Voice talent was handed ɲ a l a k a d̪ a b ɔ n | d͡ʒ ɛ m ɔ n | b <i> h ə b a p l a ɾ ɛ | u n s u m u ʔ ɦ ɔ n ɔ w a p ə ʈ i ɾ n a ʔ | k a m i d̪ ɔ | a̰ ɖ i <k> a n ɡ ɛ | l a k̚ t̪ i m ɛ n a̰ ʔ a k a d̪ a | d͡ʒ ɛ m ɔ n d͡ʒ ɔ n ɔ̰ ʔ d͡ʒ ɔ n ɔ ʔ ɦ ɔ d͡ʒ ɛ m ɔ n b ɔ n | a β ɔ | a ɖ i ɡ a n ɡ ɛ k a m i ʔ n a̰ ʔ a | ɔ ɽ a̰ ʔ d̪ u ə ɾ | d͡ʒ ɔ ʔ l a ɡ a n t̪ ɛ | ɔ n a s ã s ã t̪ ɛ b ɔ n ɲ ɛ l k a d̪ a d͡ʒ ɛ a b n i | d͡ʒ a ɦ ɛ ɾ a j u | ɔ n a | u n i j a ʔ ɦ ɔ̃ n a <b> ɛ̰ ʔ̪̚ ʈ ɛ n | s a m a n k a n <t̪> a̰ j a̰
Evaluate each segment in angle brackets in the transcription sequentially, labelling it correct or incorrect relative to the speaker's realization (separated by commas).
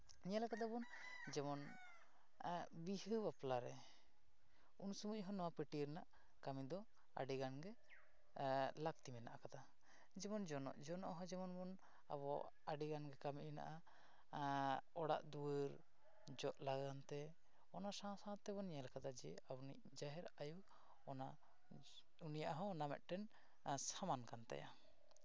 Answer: correct, incorrect, incorrect, correct